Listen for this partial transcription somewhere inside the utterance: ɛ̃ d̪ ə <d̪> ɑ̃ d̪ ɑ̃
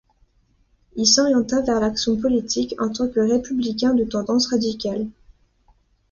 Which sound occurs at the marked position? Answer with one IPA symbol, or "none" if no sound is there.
t̪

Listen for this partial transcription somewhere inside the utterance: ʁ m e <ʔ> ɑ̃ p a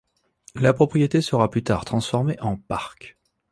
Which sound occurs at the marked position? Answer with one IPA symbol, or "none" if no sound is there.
ʔ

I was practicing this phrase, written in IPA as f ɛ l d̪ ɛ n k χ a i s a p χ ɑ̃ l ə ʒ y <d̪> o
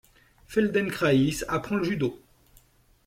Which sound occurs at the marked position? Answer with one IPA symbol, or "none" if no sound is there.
d̪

